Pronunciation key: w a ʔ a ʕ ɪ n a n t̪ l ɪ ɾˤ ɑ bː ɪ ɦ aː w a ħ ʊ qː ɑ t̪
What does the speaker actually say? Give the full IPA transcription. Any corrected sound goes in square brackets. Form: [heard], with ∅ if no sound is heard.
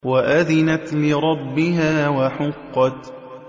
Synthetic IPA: w a ʔ a [ð] ɪ n a [∅] t̪ l ɪ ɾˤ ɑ bː ɪ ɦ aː w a ħ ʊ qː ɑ t̪

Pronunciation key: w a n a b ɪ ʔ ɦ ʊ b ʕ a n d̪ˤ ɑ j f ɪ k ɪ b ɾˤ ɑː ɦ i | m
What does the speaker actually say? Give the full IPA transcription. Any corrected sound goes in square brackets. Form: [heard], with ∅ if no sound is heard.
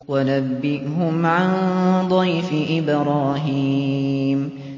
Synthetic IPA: w a n a [bː] ɪ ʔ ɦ ʊ [m] ʕ a n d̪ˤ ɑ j f ɪ [ʔ] ɪ b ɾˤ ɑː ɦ i | m

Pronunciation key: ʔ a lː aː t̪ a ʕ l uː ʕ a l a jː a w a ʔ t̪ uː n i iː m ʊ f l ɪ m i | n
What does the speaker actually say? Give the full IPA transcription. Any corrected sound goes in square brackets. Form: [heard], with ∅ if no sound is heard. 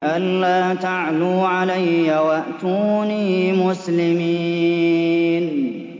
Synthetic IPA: ʔ a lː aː t̪ a ʕ l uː ʕ a l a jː a w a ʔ t̪ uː n i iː m ʊ [s] l ɪ m i | n

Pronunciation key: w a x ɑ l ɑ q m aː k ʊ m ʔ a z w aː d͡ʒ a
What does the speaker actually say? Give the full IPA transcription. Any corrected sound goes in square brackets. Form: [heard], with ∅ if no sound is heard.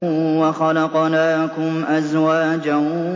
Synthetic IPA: w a x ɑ l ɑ q [n] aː k ʊ m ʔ a z w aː d͡ʒ a

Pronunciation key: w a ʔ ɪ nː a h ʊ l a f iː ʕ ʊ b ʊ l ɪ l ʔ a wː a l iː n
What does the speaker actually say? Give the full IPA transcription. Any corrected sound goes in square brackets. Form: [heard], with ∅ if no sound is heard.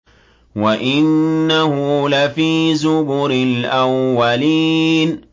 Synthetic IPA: w a ʔ ɪ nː a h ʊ l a f iː [z] ʊ b ʊ [ɾ] ɪ l ʔ a wː a l iː n

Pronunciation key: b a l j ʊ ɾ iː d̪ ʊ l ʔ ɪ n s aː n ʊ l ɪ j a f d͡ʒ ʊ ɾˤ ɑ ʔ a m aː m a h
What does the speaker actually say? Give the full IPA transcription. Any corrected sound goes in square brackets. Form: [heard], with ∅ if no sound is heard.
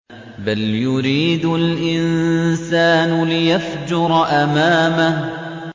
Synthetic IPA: b a l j ʊ ɾ iː d̪ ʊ l ʔ ɪ n s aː n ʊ l ɪ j a f d͡ʒ ʊ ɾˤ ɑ ʔ a m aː m a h

